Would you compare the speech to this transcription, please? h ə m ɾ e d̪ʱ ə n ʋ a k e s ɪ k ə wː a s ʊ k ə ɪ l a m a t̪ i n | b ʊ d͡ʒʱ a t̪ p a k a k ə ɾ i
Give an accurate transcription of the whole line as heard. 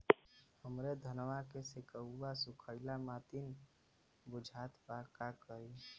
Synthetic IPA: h ə m ɾ e d̪ʱ ə n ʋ a k e s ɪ k ə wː a s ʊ kʰ ə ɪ l a m a t̪ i n | b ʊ d͡ʒʱ a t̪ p a k a k ə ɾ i

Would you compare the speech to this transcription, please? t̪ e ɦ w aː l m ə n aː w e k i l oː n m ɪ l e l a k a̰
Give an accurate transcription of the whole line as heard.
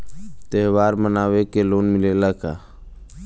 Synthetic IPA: t̪ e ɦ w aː ɾ m ə n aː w e k e l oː n m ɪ l e l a k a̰

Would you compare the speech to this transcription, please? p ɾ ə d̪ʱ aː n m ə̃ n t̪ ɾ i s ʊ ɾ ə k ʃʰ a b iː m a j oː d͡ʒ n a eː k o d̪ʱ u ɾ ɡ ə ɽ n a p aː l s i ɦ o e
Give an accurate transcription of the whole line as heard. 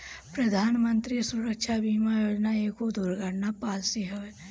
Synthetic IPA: p ɾ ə d̪ʱ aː n m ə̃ n t̪ ɾ i s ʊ ɾ ə k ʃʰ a b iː m a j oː d͡ʒ n a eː k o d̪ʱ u ɾ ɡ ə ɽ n a p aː l s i ɦ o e

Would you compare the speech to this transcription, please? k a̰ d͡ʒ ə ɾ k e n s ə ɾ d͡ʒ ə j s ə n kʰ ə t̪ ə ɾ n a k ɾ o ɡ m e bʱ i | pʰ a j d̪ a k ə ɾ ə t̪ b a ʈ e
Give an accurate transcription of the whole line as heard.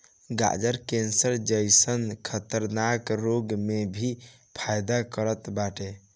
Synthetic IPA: ɡ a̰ d͡ʒ ə ɾ k e n s ə ɾ d͡ʒ ə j s ə n kʰ ə t̪ ə ɾ n a k ɾ o ɡ m e bʱ i | pʰ a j d̪ a k ə ɾ ə t̪ b a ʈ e

